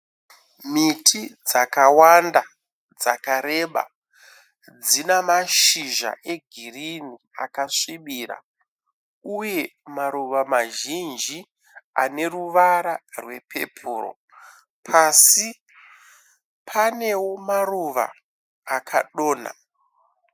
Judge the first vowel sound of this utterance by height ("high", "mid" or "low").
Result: high